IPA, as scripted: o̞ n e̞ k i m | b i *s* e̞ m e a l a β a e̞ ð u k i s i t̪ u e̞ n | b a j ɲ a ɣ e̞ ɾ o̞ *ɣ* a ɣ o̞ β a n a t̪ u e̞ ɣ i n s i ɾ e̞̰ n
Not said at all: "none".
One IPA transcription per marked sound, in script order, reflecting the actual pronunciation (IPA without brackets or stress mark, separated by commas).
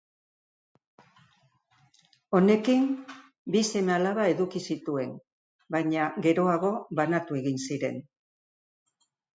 s, none